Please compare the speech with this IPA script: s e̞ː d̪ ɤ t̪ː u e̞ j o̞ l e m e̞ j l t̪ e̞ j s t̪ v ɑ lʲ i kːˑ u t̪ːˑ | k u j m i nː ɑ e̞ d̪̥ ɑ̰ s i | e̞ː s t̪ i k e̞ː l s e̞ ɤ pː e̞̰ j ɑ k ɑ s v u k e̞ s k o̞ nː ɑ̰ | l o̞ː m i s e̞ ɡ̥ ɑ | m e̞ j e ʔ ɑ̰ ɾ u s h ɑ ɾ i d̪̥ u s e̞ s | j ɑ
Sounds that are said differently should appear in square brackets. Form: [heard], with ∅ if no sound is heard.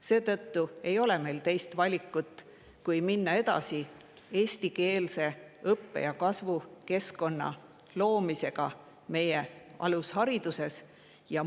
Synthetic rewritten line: s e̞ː [t̪] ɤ t̪ː u e̞ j o̞ l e m e̞ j l t̪ e̞ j s t̪ v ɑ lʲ i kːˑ u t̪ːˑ | k u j m i nː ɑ e̞ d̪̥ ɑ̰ s i | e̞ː s t̪ i k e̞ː l s e̞ ɤ pː e̞̰ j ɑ k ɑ s v u k e̞ s k o̞ nː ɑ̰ | l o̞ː m i s e̞ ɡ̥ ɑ | m e̞ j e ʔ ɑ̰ [l] u s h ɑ ɾ i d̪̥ u s e̞ s | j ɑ